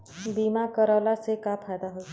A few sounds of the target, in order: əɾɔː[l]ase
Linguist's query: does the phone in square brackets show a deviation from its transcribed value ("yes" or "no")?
no